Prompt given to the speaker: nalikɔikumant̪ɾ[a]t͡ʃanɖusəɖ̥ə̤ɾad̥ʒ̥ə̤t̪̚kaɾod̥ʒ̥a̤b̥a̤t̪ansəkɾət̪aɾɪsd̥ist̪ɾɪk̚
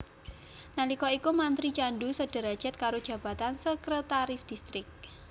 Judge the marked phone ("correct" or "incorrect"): incorrect